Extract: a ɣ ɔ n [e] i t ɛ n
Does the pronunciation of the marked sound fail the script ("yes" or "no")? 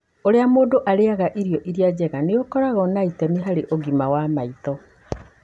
yes